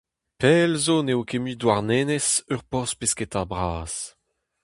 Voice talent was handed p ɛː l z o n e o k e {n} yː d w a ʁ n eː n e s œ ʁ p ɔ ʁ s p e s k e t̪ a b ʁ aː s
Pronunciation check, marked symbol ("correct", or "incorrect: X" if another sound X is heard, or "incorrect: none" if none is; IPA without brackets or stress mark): incorrect: m